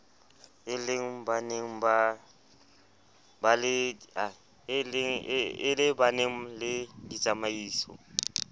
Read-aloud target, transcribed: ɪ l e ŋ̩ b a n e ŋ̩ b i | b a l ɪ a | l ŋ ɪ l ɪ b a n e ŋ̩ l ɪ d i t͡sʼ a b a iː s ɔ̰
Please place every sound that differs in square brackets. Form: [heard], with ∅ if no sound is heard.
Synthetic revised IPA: ɪ l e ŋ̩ b a n e ŋ̩ b [a] | b a l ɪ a | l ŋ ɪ l ɪ b a n e ŋ̩ l ɪ d i t͡sʼ a [m] a iː s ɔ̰